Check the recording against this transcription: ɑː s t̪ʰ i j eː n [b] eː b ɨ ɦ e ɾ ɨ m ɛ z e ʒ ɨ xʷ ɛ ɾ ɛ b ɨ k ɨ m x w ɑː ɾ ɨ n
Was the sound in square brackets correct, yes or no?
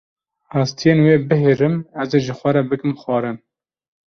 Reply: no